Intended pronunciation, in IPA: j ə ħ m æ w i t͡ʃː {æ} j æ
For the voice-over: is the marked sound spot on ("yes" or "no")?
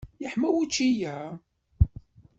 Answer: no